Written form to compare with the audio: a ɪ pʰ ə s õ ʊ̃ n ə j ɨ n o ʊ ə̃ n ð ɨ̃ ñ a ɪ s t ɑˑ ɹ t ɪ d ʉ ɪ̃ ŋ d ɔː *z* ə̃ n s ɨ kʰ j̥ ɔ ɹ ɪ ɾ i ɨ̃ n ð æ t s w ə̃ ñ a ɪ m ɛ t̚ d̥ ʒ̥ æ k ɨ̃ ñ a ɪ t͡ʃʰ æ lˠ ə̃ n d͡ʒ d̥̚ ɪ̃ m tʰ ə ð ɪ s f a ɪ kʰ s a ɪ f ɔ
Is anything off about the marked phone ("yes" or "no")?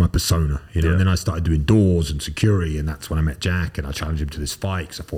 no